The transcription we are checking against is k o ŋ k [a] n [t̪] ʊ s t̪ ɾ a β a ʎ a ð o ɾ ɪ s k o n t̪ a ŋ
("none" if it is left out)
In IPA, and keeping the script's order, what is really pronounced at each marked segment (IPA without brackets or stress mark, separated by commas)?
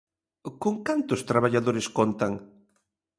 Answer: a, t̪